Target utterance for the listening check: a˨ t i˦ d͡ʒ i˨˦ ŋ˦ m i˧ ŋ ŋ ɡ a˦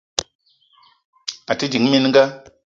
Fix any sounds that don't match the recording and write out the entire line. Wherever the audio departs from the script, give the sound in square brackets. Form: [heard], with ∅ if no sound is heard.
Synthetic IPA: a˨ t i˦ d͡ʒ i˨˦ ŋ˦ m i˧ [n] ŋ ɡ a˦